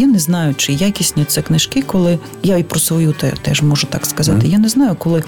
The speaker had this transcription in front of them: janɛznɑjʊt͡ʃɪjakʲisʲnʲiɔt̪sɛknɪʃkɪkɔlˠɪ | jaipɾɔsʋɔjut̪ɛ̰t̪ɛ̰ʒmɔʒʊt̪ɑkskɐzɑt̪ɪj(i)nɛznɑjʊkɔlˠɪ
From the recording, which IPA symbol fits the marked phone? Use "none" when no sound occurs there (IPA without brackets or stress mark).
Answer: a